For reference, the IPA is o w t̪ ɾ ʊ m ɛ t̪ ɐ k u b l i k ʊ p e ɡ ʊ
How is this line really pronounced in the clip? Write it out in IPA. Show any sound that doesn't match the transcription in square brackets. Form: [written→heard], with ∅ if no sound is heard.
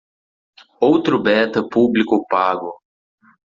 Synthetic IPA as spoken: o w t̪ ɾ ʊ [m→b] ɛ t̪ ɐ [k→p] u b l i k ʊ p [e→a] ɡ ʊ

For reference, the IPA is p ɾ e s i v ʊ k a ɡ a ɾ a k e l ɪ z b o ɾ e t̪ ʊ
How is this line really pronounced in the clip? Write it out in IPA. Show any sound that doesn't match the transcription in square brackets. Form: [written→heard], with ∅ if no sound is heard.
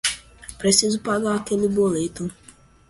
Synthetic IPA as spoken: p ɾ e s i [v→z] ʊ [k→p] a ɡ a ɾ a k e l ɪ [z→∅] b o [ɾ→l] e t̪ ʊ

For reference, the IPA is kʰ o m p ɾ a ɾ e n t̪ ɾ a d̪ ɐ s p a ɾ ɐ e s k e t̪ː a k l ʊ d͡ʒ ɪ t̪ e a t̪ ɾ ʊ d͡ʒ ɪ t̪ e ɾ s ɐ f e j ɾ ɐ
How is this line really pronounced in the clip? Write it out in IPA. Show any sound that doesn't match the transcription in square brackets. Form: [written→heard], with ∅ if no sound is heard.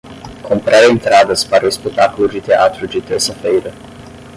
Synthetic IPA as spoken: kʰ o m p ɾ a ɾ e n t̪ ɾ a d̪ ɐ s p a ɾ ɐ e s [k→p] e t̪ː a k l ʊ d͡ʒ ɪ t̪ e a t̪ ɾ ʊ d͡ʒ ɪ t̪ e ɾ s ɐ f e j ɾ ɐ

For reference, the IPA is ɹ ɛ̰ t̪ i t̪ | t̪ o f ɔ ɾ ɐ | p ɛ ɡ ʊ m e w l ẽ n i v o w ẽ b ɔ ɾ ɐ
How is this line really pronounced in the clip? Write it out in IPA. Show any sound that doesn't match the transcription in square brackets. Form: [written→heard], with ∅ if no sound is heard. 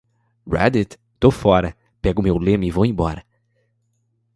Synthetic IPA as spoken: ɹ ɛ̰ [t̪→d̪] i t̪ | t̪ o f ɔ ɾ ɐ | p ɛ ɡ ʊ m e w l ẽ [n→m] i v o w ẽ b ɔ ɾ ɐ

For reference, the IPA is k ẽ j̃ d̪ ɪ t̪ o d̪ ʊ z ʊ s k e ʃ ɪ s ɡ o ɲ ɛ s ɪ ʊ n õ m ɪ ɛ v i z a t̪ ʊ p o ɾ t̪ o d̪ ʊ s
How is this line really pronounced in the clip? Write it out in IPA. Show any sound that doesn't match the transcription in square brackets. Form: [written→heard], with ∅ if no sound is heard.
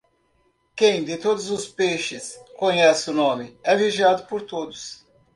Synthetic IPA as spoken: k ẽ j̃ d̪ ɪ t̪ o d̪ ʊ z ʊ s [k→p] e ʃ ɪ s [ɡ→k] o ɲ ɛ s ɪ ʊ n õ m ɪ ɛ v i [z→ʒ] a [t̪→d̪] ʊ p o ɾ t̪ o d̪ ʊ s

